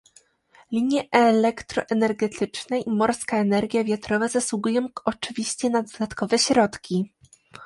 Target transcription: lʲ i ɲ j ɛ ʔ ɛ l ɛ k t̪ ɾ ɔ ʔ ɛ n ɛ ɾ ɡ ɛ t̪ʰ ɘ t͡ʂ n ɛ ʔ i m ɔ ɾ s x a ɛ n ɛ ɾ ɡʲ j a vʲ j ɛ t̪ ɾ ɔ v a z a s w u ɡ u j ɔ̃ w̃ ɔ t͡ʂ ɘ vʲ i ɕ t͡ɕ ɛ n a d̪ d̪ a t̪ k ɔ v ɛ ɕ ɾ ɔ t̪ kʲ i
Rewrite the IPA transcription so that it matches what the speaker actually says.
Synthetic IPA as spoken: lʲ i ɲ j ɛ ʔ ɛ l ɛ k t̪ ɾ ɔ ʔ ɛ n ɛ ɾ ɡ ɛ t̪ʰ ɘ t͡ʂ n ɛ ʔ i m ɔ ɾ s k a ɛ n ɛ ɾ ɡʲ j a vʲ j a t̪ ɾ ɔ v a z a s w u ɡ u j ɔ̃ w̃ ɔ t͡ʂ ɘ vʲ i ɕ t͡ɕ ɛ n a d̪ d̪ a t̪ k ɔ v ɛ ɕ ɾ ɔ t̪ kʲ i